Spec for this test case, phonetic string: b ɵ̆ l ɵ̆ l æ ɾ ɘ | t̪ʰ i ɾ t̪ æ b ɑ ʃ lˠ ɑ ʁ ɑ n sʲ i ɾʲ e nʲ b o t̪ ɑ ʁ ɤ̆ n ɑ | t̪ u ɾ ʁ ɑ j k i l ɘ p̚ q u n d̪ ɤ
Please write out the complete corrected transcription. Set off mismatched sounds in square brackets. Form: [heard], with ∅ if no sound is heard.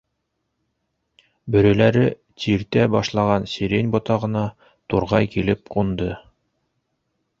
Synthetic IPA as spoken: b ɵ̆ [ɾ] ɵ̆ l æ ɾ ɘ | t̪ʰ i ɾ t̪ æ b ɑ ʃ lˠ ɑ ʁ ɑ n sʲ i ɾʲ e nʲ b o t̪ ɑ ʁ ɤ̆ n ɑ | t̪ u ɾ ʁ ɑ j k i l ɘ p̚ q u n d̪ ɤ